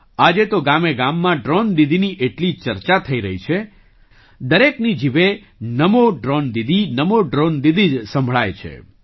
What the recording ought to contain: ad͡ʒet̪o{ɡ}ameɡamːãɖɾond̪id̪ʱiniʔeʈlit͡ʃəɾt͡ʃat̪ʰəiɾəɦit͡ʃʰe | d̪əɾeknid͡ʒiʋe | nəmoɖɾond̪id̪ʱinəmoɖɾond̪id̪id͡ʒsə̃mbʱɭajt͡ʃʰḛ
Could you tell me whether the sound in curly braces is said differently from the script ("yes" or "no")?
no